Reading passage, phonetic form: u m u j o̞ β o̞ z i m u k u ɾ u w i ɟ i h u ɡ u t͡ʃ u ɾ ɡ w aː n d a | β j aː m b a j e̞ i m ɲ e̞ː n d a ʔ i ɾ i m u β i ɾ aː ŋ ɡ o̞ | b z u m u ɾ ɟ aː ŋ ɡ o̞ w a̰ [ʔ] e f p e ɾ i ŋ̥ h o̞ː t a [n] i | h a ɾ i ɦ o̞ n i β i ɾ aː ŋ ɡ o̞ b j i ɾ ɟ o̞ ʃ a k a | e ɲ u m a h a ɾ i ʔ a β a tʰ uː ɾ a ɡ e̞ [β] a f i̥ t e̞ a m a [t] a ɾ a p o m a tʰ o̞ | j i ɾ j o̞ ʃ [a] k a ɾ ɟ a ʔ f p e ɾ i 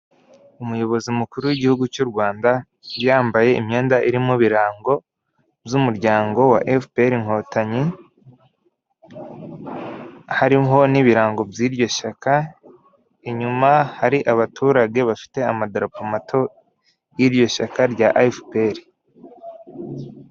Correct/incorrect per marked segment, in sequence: correct, incorrect, correct, incorrect, correct

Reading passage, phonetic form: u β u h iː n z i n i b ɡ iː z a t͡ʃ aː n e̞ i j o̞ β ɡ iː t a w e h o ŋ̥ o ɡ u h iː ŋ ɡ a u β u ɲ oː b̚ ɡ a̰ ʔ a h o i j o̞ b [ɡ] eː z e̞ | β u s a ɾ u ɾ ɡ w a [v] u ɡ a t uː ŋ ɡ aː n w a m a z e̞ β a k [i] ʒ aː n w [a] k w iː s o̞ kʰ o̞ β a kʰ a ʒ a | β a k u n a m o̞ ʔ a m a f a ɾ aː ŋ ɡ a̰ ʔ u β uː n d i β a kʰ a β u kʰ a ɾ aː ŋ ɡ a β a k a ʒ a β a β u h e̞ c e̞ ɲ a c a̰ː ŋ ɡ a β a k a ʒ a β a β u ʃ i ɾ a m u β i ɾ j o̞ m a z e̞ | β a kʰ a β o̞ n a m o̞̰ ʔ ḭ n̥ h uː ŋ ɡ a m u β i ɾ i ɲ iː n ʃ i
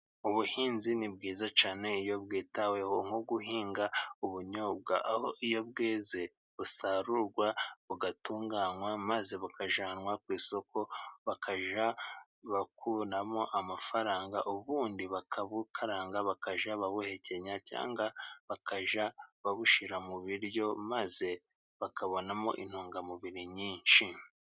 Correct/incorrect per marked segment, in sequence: correct, incorrect, incorrect, correct

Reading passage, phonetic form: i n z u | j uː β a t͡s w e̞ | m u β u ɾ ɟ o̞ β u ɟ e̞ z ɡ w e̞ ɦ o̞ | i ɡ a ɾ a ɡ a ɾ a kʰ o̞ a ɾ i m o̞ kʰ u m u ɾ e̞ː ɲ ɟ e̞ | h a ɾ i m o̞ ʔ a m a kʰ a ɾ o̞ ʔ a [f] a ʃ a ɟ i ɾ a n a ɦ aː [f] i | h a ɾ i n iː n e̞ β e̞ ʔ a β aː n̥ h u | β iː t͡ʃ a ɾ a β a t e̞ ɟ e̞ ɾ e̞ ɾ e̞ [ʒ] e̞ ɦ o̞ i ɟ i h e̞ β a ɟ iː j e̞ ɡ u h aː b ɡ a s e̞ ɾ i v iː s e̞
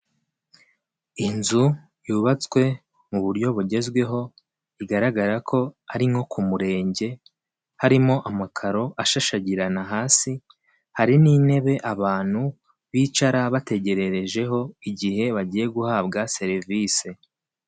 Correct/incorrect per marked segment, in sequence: incorrect, incorrect, correct

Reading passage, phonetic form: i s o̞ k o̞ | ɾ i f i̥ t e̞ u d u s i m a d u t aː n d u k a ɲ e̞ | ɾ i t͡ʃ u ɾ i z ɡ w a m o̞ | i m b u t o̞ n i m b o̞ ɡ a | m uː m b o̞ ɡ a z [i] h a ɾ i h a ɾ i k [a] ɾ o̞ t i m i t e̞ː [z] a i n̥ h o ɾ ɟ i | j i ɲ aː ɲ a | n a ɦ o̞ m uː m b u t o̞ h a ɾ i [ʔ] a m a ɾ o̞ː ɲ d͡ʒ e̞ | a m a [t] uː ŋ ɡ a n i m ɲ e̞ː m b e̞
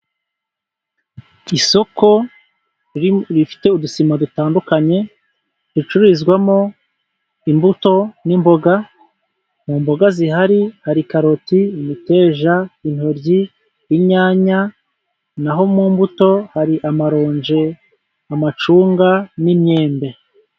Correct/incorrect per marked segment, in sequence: correct, correct, incorrect, correct, incorrect

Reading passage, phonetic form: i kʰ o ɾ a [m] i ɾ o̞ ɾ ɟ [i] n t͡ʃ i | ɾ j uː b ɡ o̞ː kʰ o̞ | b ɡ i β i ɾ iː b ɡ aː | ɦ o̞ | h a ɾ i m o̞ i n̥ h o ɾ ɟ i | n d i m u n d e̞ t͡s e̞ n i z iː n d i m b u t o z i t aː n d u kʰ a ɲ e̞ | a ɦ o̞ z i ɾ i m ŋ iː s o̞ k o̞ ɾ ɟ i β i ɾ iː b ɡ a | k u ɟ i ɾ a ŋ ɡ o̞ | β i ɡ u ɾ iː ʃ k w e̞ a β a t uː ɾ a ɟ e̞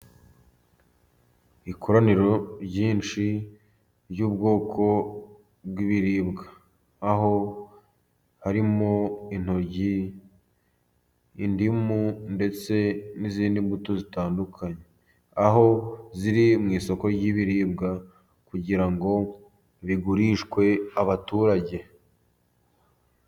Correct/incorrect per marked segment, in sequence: incorrect, incorrect

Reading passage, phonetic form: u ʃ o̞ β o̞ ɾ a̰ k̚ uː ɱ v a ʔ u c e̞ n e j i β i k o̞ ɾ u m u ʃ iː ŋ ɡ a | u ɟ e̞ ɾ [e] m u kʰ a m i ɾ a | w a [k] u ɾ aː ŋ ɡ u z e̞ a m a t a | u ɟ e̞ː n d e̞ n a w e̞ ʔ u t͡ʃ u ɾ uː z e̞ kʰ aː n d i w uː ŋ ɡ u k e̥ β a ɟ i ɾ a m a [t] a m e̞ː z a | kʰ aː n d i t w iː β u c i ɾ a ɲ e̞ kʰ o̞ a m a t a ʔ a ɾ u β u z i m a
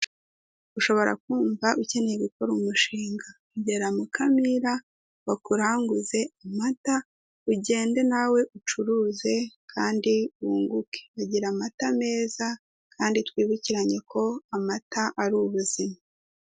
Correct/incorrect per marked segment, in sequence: incorrect, correct, correct

